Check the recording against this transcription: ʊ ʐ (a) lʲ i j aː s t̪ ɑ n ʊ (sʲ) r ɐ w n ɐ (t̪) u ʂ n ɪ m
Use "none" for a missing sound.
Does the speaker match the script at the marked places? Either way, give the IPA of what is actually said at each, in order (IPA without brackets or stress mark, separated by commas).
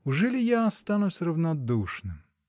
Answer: ɛ, sʲ, d̪